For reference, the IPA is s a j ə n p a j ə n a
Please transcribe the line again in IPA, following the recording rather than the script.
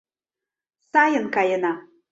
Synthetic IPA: s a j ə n k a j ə n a